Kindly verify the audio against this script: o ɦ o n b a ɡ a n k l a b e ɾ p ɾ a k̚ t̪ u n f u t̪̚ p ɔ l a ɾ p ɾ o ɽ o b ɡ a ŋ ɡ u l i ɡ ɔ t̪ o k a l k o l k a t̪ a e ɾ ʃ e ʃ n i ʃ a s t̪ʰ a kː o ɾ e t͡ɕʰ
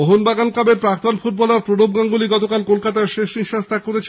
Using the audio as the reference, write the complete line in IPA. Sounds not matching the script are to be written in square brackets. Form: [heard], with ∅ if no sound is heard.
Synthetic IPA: o ɦ o n b a ɡ a n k l a b e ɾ p ɾ a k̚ t̪ [o] n f u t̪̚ [b] ɔ l a ɾ p ɾ o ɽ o b ɡ a ŋ ɡ u l i ɡ ɔ t̪ o k a l k o l k a t̪ a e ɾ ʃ e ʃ n i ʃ a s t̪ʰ a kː o ɾ e t͡ɕʰ